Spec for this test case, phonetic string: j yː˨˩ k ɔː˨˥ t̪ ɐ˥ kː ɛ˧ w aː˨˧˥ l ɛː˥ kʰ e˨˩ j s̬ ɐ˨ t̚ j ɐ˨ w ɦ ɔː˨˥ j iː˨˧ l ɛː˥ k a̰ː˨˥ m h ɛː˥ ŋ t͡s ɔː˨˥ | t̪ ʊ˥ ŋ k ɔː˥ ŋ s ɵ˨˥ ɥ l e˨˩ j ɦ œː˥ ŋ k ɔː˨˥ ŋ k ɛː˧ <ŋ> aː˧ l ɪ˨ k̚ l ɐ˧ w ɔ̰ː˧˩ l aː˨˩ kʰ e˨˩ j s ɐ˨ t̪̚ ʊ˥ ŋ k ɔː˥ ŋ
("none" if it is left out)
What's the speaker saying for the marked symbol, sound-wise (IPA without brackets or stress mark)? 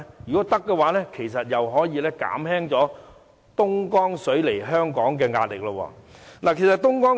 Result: ŋ